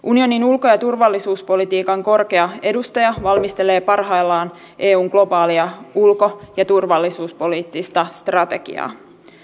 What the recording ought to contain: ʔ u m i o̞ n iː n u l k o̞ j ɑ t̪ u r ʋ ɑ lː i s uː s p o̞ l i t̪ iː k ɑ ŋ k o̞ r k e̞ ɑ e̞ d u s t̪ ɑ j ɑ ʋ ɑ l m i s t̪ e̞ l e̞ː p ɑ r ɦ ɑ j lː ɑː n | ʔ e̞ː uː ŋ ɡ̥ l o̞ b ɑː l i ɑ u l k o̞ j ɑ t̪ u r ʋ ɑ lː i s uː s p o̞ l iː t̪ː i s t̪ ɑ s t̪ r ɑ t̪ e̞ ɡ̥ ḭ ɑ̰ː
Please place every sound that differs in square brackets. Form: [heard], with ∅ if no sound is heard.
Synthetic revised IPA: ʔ u [n] i o̞ n [i] n u l k o̞ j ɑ t̪ u r ʋ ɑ lː i s uː s p o̞ l i t̪ iː k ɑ ŋ k o̞ r k e̞ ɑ e̞ d u s t̪ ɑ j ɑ ʋ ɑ l m i s t̪ e̞ l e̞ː p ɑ r ɦ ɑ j lː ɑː n | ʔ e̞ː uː ŋ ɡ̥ l o̞ b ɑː l i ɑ u l k o̞ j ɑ t̪ u r ʋ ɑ lː i s uː s p o̞ l iː t̪ː i s t̪ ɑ s t̪ r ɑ t̪ e̞ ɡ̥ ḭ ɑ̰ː